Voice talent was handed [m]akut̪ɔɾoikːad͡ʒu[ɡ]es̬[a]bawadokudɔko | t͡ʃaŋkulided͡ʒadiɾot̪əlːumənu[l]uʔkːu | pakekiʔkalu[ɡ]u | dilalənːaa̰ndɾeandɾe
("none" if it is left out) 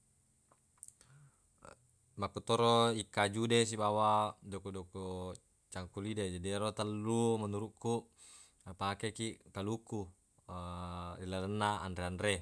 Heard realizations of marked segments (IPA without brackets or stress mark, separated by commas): m, d, i, ɾ, k